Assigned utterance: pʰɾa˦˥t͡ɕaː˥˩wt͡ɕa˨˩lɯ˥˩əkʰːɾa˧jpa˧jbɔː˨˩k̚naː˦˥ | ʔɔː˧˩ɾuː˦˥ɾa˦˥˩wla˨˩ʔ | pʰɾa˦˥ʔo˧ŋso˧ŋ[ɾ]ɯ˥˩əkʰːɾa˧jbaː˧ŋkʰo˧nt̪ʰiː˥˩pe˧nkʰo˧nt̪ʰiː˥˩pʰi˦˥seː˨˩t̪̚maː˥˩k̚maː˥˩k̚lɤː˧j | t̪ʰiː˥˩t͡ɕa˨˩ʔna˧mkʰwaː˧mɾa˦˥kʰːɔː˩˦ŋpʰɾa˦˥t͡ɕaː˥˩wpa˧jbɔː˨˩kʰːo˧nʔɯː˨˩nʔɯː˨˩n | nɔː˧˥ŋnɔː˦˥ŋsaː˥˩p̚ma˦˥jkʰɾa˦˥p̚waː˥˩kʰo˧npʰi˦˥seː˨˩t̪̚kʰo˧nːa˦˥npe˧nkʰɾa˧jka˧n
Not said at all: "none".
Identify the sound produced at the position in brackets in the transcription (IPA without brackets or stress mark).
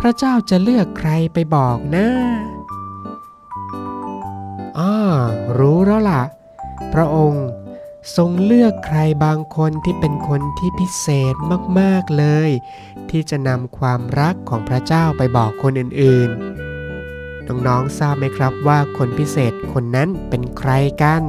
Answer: l